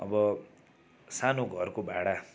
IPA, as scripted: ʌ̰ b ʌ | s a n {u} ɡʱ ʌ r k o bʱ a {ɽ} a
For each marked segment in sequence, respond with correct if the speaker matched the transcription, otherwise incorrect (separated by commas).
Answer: incorrect, correct